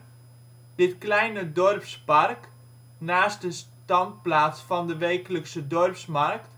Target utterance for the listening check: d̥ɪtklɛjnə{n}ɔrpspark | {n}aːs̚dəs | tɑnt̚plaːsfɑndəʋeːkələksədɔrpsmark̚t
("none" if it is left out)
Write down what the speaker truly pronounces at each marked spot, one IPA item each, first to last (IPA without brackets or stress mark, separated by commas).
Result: d, n